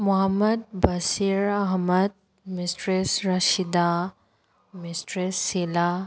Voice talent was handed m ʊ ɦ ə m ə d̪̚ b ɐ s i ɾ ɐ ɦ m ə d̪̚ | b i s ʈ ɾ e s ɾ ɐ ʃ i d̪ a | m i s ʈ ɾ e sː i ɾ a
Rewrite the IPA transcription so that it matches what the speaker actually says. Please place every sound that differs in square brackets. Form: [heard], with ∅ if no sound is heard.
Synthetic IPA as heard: m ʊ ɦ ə m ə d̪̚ b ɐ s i ɾ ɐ ɦ m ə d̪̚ | [m] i s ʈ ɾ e s ɾ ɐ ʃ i d̪ a | m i s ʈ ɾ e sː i [l] a

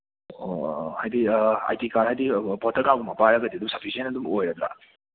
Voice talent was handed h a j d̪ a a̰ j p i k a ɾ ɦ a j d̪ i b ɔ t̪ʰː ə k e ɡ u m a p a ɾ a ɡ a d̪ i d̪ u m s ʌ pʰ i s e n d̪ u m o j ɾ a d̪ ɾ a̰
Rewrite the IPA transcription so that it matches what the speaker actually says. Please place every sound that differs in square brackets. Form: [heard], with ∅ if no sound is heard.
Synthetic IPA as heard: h a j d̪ [i] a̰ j [t] i k a ɾ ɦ a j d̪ i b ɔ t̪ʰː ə k [a] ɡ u m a p a ɾ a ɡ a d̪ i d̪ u m s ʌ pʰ i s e n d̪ u m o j ɾ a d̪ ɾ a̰

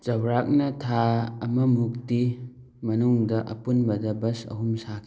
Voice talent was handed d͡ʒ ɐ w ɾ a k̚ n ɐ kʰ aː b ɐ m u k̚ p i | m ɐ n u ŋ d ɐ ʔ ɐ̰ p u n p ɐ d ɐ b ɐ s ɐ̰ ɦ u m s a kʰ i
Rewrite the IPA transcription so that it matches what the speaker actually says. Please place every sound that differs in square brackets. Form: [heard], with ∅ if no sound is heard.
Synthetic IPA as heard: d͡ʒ ɐ w ɾ a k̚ n ɐ [tʰ] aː [m] ɐ m u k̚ [t] i | m ɐ n u ŋ d ɐ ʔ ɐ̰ p u n [b] ɐ d ɐ b ɐ s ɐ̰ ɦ u m s a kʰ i

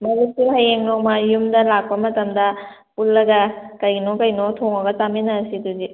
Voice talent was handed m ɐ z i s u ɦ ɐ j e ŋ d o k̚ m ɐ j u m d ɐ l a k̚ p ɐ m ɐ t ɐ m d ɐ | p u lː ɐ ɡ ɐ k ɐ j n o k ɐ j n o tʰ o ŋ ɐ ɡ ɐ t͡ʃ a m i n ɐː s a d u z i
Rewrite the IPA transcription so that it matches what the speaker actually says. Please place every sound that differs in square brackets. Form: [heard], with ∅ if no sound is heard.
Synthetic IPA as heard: m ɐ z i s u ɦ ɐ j e ŋ [n] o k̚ m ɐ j u m d ɐ l a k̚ p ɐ m ɐ t ɐ m d ɐ | p u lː ɐ ɡ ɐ k ɐ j n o k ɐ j n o tʰ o ŋ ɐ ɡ ɐ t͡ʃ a m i n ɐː s [i] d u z i

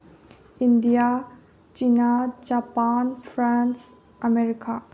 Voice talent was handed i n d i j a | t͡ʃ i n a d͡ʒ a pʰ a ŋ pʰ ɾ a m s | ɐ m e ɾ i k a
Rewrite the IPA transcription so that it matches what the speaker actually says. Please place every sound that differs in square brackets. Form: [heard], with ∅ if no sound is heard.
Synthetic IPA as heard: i n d i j a | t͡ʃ i n a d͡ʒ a [p] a [n] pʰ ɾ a [n] s | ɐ m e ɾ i k a

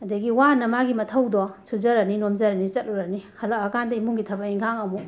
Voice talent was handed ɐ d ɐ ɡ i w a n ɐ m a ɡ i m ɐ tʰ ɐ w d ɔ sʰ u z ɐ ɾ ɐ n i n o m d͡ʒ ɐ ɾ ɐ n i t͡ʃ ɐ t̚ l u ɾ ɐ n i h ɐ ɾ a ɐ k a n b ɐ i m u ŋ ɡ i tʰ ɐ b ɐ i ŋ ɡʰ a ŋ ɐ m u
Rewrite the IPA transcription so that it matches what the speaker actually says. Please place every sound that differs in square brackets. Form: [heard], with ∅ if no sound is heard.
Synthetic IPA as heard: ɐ d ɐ ɡ i w a n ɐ m a ɡ i m ɐ tʰ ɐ w d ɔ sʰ u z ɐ ɾ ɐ n i n o m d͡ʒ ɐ ɾ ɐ n i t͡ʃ ɐ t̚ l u ɾ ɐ n i h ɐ [l] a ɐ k a n [d] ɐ i m u ŋ ɡ i tʰ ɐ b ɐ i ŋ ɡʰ a ŋ ɐ m u

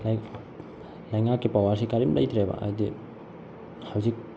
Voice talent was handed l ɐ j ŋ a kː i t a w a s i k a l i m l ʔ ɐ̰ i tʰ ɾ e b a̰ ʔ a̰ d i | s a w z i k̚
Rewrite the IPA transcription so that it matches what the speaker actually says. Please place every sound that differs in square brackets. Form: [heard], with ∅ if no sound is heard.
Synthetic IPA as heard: l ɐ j ŋ a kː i [p] a w a s i k a [ɾ] i m l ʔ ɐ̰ [j] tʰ ɾ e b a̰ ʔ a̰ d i | [h] a w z i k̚

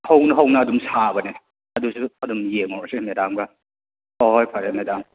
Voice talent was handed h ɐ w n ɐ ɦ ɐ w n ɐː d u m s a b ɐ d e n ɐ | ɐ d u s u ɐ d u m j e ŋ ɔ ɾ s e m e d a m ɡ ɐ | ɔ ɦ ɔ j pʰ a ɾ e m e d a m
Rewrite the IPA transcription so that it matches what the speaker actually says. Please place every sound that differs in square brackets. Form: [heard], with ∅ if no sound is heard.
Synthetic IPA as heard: h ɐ w n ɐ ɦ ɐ w n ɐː d u m s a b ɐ [n] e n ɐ | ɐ d u s u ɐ d u m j e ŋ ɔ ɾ s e m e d a m ɡ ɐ | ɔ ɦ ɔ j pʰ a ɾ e m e d a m

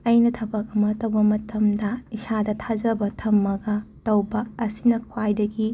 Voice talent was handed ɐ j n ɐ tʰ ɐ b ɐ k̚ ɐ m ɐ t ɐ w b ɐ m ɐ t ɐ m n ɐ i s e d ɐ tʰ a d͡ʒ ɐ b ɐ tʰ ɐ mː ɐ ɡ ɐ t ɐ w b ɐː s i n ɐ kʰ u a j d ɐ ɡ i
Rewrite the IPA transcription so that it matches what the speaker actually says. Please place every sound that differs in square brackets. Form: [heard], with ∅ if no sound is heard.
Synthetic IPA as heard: ɐ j n ɐ tʰ ɐ b ɐ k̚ ɐ m ɐ t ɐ w b ɐ m ɐ t ɐ m [d] ɐ i s [a] d ɐ tʰ a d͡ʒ ɐ b ɐ tʰ ɐ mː ɐ ɡ ɐ t ɐ w b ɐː s i n ɐ kʰ [w] a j d ɐ ɡ i

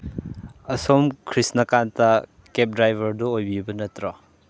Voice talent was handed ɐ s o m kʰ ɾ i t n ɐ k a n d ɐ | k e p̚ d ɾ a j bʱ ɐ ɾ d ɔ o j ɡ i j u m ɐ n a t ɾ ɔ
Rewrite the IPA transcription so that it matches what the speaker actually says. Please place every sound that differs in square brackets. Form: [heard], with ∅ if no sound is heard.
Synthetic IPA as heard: ɐ s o m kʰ ɾ i [s] n ɐ k a n [t] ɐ | k e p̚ d ɾ a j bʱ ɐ ɾ d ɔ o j [b] i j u [b] ɐ n [ɐ] t ɾ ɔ

